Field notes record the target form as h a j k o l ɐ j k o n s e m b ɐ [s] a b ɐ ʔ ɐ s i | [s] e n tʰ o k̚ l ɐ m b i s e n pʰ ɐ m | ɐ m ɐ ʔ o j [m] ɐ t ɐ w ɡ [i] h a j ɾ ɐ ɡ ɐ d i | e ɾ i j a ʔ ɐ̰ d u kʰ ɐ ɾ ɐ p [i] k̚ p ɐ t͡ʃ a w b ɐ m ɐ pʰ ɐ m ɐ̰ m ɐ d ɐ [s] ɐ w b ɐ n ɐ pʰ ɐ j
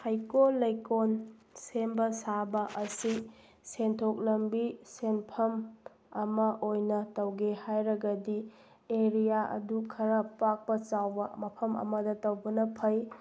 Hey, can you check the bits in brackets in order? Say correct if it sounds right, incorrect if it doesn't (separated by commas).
correct, correct, incorrect, incorrect, incorrect, incorrect